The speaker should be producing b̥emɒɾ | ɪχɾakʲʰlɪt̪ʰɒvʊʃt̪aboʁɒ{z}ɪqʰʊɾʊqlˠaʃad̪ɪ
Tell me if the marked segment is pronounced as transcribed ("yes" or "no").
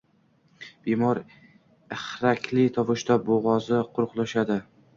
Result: yes